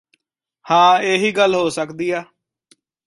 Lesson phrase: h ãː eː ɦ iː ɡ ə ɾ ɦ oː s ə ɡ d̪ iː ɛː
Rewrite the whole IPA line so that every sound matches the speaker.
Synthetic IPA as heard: h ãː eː ɦ iː ɡ ə l ɦ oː s ə k d̪ iː aː

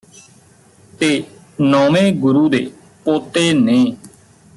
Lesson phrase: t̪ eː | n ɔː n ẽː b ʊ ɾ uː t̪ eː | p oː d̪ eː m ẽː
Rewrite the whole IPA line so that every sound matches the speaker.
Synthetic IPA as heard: t̪ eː | n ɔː m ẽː ɡ ʊ ɾ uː d̪ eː | p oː t̪ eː n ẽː

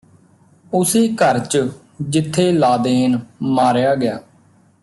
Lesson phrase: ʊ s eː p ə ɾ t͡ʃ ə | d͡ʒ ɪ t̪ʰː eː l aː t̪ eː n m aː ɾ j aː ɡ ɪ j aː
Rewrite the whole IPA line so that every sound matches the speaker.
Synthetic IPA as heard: ʊ s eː k ə ɾ t͡ʃ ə | d͡ʒ ɪ t̪ʰː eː l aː d̪ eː n m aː ɾ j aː ɡ ɪ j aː

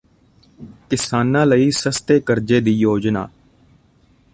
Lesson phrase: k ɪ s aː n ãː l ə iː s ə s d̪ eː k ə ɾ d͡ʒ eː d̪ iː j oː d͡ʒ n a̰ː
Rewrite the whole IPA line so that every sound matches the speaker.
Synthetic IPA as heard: k ɪ s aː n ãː l ə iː s ə s t̪ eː k ə ɾ d͡ʒ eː d̪ iː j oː d͡ʒ n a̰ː

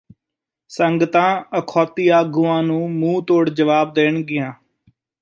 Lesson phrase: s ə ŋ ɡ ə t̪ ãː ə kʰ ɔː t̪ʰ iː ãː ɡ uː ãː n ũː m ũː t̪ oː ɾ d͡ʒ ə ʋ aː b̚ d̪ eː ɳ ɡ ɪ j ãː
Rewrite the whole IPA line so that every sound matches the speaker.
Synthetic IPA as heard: s ə ŋ ɡ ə t̪ ãː ə kʰ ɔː t̪ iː aː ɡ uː ãː n ũː m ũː t̪ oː ɽ d͡ʒ ə ʋ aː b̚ d̪ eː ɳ ɡ ɪ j ãː

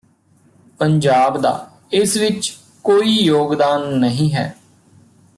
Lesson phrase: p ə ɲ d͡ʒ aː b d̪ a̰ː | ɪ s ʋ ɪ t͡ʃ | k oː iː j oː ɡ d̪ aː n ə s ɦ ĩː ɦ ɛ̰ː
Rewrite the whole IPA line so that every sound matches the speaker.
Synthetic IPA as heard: p ə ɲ d͡ʒ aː b d̪ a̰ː | ɪ s ʋ ɪ t͡ʃ | k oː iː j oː ɡ d̪ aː nː ə ɦ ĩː ɦ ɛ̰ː

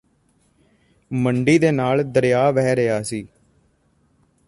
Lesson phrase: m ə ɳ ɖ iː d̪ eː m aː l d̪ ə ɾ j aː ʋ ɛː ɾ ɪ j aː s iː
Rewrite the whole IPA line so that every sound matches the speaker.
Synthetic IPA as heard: m ə ɳ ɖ iː d̪ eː n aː l d̪ ə ɾ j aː ʋ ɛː ɾ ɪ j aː s iː

